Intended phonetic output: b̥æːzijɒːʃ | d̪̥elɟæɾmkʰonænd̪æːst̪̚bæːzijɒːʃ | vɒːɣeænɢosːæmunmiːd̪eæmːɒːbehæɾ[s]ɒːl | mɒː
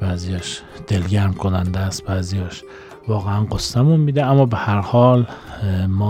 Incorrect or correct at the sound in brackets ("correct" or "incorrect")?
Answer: incorrect